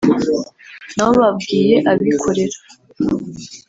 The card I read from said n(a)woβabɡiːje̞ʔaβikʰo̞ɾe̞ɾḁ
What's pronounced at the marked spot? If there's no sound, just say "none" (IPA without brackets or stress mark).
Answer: a